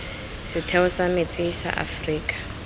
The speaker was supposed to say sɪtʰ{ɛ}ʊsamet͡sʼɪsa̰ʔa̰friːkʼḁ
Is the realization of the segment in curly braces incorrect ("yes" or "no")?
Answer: no